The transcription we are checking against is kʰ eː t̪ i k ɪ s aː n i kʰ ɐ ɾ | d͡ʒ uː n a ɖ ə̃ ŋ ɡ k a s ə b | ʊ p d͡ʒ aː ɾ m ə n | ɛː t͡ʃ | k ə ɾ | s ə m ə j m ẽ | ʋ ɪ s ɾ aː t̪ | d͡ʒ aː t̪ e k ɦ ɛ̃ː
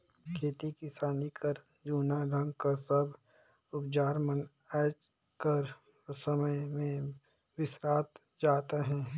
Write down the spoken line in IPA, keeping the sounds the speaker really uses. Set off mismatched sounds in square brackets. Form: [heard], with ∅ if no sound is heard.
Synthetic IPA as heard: kʰ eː t̪ i k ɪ s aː n i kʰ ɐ ɾ | d͡ʒ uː n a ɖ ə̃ ŋ ɡ k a s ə b | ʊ p d͡ʒ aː ɾ m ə n | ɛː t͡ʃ | k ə ɾ | s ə m ə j m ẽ | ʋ ɪ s ɾ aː t̪ | d͡ʒ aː t̪ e [∅] ɦ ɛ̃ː